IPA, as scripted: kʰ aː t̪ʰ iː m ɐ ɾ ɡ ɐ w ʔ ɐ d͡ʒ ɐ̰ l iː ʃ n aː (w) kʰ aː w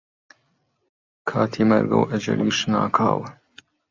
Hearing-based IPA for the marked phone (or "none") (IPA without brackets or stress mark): none